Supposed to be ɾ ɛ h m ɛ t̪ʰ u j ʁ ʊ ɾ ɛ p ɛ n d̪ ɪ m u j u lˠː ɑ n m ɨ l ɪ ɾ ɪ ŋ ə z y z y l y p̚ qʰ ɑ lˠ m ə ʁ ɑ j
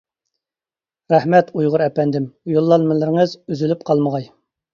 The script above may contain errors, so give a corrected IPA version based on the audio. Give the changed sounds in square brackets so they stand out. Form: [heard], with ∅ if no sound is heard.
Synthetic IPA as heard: ɾ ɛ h m ɛ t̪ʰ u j ʁ ʊ ɾ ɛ p ɛ n d̪ ɪ m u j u lˠː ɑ n m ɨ l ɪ ɾ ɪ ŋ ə z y z y l y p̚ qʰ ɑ lˠ m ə ʁ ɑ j